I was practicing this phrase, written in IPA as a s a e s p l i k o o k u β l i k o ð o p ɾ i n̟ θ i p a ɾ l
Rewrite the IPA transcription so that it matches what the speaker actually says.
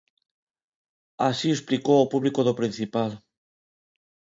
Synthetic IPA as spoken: a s i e s p l i k o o p u β l i k o ð o p ɾ i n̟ θ i p a l